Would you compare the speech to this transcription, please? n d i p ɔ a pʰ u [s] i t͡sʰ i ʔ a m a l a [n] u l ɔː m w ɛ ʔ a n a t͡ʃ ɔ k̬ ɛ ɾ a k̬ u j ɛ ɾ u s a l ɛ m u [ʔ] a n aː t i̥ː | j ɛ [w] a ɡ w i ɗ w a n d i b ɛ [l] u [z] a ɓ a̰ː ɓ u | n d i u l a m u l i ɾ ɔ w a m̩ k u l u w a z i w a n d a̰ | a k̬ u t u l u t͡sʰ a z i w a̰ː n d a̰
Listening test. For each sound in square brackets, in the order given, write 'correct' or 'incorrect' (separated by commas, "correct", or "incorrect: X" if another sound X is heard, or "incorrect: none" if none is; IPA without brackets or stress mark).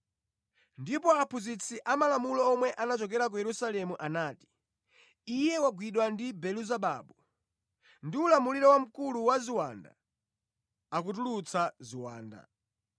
incorrect: z, incorrect: m, correct, correct, correct, correct